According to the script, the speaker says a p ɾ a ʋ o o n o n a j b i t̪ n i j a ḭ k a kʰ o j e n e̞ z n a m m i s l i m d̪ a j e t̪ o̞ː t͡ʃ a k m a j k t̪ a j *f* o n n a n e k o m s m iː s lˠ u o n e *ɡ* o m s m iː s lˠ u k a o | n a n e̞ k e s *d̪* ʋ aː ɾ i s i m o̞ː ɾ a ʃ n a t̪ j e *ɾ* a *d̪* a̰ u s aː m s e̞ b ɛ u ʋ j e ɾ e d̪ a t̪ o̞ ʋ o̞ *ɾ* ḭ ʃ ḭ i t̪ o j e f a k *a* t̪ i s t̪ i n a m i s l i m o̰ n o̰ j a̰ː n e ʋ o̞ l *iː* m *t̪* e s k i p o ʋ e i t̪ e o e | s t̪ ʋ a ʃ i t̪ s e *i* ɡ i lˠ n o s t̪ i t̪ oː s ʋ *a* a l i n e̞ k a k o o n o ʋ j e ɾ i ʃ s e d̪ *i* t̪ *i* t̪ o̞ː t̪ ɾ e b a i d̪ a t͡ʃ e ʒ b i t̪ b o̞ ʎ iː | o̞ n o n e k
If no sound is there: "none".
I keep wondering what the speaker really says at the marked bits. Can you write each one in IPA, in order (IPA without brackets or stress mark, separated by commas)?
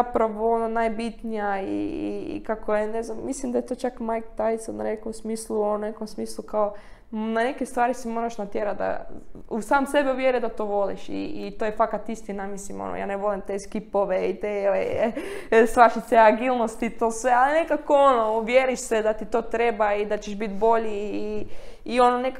s, k, t̪, ɾ, d̪, l, a, i, t̪, a, e, a, i